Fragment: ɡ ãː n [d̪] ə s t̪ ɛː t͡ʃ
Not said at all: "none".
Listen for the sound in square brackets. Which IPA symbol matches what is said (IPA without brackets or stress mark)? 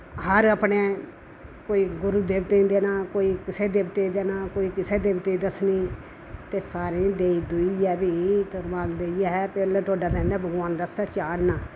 d̪